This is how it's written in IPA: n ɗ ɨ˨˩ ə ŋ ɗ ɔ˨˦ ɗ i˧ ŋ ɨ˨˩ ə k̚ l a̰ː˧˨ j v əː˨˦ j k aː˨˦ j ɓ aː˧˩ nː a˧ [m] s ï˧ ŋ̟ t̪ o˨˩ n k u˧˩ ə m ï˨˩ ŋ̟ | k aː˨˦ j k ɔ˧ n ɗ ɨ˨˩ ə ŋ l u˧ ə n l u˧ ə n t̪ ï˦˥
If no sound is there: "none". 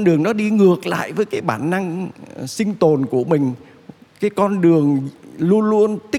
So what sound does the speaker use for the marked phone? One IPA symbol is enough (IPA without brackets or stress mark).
ŋ